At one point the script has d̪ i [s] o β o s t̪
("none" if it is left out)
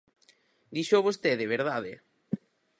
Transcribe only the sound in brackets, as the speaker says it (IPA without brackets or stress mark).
ʃ